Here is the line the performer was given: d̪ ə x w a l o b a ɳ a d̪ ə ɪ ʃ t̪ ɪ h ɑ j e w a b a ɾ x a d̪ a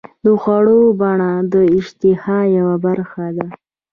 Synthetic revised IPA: d̪ ə x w a ɽ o b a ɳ a d̪ ə ɪ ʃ t̪ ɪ h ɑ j a w a b a ɾ x a d̪ a